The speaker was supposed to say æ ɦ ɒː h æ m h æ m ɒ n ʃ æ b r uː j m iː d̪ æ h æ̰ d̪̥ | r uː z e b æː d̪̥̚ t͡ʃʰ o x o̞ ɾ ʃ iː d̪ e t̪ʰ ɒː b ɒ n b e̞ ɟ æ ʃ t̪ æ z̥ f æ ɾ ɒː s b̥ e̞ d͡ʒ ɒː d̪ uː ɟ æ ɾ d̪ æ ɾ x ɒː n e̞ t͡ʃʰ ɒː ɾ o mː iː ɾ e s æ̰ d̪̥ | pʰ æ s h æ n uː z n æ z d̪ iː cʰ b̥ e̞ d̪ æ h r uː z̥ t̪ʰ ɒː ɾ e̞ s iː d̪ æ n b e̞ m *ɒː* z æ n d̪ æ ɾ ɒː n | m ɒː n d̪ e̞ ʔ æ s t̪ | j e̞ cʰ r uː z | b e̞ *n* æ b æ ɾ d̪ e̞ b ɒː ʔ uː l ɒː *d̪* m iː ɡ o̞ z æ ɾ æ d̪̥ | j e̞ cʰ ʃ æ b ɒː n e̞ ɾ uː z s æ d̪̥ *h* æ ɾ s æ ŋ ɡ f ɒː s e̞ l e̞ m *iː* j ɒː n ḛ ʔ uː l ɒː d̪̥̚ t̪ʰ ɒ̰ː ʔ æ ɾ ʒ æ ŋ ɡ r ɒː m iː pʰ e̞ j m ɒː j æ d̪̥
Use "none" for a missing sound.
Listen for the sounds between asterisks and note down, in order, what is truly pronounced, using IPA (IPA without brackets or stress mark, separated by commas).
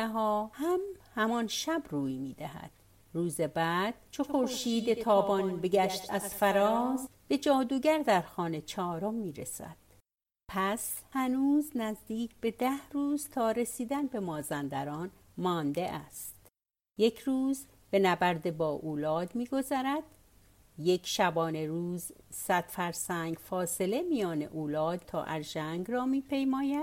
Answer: ɒː, n, d̪, f, i